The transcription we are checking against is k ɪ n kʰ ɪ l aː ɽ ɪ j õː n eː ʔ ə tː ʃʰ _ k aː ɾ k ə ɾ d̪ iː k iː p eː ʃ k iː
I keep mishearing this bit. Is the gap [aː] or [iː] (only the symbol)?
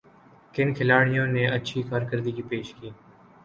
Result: iː